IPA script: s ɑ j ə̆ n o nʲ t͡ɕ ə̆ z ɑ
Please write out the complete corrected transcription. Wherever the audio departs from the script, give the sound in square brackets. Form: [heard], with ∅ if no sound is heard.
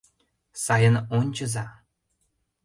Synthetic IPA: s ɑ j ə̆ n o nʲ t͡ɕ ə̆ z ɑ